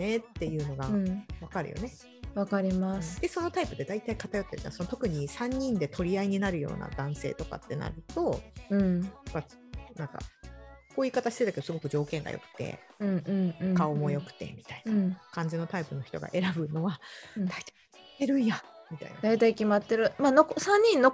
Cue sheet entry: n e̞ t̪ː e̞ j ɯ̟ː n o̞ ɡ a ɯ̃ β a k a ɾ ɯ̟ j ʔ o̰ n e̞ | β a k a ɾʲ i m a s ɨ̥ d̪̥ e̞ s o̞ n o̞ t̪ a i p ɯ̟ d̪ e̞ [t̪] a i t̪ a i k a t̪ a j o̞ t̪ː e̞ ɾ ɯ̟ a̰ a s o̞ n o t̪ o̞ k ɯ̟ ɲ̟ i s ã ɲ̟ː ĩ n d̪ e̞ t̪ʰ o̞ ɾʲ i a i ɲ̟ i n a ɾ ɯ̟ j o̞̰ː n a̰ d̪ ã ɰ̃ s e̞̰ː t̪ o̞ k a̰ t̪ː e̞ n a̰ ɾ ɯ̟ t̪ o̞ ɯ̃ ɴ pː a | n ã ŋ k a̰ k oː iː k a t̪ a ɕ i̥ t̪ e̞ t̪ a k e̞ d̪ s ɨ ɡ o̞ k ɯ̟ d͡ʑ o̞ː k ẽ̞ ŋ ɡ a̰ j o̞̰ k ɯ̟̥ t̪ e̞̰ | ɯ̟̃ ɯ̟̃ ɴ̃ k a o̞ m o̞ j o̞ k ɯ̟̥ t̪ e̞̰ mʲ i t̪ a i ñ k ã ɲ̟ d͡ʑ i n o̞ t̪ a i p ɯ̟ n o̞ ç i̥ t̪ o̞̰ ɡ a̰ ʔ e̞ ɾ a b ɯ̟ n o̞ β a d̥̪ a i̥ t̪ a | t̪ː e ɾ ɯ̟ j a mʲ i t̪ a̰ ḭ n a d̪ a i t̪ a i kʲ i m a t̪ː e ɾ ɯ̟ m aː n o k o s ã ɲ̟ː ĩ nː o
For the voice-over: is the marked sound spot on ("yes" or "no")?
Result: no